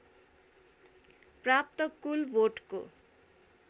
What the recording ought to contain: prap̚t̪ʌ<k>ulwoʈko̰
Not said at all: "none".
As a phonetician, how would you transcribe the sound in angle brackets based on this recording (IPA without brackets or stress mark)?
k